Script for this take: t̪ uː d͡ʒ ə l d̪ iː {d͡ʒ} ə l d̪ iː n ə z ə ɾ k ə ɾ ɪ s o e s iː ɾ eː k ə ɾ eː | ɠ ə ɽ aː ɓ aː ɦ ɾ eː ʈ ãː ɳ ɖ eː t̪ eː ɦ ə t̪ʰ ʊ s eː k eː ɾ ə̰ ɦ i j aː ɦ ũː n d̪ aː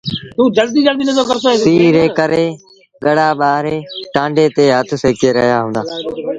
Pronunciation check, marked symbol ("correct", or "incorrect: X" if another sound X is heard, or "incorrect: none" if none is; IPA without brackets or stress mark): correct